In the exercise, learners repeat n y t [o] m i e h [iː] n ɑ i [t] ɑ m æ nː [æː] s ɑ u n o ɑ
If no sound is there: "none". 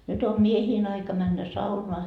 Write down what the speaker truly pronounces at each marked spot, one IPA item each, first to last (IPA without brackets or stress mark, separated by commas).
o, iː, k, æ